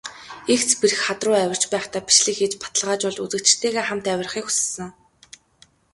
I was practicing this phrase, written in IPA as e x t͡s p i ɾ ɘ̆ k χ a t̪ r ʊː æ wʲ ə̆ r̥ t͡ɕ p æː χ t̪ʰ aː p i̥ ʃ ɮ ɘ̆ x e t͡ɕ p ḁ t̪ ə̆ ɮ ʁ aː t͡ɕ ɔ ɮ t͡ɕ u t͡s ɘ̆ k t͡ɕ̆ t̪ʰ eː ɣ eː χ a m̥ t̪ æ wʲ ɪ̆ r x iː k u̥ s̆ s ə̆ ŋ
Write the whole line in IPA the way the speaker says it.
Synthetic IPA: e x t͡s p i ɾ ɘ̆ x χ a t̪ r ʊː æ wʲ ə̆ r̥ t͡ɕ p æː χ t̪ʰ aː p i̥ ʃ ɮ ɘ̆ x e t͡ɕ p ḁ t̪ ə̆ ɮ ʁ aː t͡ɕ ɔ ɮ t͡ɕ u t͡s ɘ̆ k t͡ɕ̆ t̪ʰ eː ɣ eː χ a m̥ t̪ æ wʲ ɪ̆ r χ iː k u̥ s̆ s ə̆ ŋ